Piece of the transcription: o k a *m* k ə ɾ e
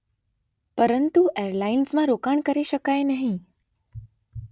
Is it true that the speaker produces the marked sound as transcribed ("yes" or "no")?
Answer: no